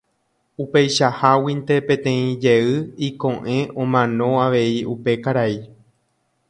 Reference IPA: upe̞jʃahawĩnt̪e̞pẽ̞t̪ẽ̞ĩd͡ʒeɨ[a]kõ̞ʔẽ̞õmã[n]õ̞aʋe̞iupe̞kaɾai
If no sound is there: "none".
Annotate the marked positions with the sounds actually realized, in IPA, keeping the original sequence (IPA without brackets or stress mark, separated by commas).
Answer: i, n